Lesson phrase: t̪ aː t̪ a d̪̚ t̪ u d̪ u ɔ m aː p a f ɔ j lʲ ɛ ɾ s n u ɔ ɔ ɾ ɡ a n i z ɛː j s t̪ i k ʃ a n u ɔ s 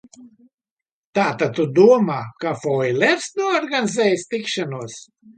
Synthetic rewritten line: t̪ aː t̪ a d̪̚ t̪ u d̪ u ɔ m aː k a f ɔ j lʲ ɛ ɾ s n u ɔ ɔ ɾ ɡ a n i z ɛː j s t̪ i k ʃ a n u ɔ s